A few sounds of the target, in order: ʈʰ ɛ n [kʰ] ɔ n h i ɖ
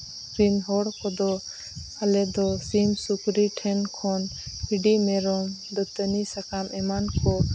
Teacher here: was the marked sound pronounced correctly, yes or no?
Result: yes